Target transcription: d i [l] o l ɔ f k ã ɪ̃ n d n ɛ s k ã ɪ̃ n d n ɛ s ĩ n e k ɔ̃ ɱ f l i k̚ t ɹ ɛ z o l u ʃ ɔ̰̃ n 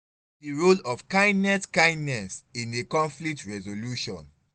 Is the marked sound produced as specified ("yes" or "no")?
no